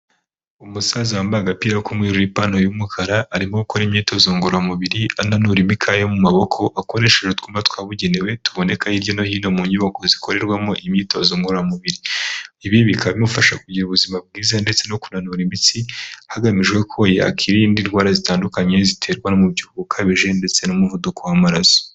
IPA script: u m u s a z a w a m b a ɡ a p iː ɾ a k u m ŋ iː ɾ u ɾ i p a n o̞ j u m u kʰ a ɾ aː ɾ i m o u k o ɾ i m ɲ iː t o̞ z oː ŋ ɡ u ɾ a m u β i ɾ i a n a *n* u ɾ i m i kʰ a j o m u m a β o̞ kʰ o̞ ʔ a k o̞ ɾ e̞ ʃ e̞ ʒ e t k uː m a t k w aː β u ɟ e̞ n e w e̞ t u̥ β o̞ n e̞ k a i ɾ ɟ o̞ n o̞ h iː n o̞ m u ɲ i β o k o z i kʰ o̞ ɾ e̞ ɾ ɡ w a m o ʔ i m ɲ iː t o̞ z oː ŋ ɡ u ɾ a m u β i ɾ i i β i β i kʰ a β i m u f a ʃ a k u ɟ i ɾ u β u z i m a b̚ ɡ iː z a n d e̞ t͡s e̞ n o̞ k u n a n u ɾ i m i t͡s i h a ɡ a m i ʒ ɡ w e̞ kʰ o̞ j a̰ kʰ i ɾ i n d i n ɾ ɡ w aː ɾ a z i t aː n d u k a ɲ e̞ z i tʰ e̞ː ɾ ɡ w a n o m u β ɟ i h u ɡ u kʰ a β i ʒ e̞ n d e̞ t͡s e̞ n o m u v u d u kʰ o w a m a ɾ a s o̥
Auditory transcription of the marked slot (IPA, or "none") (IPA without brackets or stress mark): n